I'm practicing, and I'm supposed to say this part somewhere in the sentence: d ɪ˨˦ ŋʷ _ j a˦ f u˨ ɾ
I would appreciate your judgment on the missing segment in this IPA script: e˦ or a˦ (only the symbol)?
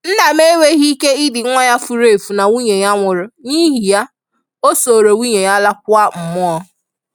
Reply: a˦